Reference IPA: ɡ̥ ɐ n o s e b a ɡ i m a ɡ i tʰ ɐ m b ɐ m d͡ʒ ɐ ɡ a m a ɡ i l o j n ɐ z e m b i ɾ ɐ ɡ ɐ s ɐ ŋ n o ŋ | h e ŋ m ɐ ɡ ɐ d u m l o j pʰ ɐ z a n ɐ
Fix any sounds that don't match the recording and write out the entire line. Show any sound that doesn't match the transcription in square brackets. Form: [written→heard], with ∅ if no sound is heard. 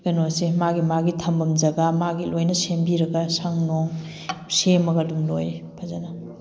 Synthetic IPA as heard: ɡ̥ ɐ n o s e [b→m] a ɡ i m a ɡ i tʰ ɐ m b ɐ m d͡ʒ ɐ ɡ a m a ɡ i l o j n ɐ [z→s] e m b i ɾ ɐ ɡ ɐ s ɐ ŋ n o ŋ | [h→s] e [ŋ→∅] m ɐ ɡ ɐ d u m l o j pʰ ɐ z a n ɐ